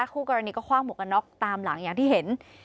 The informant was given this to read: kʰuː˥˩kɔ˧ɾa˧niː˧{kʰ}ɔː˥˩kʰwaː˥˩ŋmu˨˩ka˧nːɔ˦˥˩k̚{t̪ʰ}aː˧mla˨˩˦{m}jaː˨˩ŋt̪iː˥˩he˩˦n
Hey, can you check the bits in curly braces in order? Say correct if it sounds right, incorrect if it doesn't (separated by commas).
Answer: incorrect, incorrect, incorrect